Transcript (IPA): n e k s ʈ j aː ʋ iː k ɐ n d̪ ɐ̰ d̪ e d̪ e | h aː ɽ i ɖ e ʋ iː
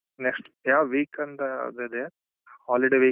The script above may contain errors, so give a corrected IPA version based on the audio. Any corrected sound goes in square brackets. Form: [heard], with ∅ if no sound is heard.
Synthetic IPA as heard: n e k s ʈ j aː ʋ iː k ɐ n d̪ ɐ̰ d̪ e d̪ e | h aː [l] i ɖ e ʋ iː